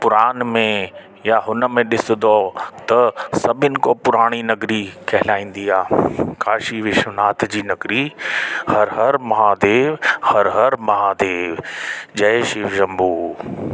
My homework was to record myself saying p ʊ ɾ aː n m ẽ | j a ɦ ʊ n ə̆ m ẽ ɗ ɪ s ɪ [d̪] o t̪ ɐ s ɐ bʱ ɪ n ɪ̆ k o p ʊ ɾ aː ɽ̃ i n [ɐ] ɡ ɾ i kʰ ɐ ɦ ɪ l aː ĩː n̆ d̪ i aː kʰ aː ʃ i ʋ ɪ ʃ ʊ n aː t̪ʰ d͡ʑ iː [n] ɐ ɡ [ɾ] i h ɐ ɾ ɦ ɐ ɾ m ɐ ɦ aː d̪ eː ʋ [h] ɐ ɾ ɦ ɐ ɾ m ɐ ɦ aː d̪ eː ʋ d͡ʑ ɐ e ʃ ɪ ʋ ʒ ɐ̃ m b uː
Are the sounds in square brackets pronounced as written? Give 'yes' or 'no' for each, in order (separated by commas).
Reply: yes, yes, yes, yes, yes